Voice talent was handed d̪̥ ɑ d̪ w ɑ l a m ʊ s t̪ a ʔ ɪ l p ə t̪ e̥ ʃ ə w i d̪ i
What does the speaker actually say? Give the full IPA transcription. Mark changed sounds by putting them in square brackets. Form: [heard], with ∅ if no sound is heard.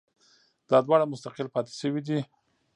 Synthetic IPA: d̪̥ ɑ d̪ w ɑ [ɽ] a m ʊ s t̪ a [q] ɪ l p [ɑ] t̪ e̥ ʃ ə w i d̪ i